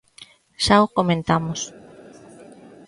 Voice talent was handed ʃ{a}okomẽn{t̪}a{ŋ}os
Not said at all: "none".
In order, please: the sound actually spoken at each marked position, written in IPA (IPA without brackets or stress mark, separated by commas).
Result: a, t̪, m